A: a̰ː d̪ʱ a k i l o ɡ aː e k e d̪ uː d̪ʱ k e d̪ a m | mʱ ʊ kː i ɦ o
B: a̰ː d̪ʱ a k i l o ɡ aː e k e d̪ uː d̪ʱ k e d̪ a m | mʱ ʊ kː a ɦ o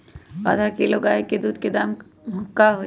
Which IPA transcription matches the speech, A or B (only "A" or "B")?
B